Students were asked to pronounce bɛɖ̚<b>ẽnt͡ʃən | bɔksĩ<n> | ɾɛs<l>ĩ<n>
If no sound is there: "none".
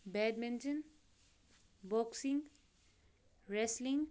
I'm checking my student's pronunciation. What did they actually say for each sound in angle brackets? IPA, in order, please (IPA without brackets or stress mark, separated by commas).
m, ŋ, l, ŋ